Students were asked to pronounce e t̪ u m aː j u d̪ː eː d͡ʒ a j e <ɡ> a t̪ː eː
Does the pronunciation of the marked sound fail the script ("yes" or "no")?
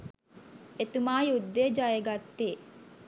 no